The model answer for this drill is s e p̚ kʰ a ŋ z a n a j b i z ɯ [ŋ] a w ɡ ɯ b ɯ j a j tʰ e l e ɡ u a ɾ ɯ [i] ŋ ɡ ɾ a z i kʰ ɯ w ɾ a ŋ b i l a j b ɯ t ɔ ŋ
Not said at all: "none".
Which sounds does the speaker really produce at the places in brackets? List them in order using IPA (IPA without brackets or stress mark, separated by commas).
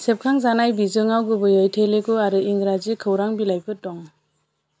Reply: ŋ, i